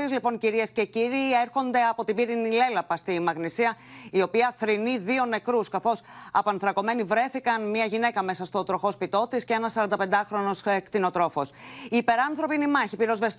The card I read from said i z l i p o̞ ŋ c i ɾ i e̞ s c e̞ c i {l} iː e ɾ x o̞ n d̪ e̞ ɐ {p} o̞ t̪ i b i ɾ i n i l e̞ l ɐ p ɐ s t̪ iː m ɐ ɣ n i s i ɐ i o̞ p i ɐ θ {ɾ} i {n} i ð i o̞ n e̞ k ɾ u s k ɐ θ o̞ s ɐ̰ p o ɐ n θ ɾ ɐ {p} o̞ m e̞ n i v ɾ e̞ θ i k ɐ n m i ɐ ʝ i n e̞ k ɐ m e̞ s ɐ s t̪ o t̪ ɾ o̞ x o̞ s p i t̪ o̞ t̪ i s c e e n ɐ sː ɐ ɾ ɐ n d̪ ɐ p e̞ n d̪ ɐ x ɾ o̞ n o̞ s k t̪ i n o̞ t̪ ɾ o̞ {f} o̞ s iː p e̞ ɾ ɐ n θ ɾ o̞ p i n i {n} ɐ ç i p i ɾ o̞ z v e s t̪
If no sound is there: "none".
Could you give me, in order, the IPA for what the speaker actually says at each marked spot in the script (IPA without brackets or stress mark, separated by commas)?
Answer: ɾ, p, ɾ, n, k, f, m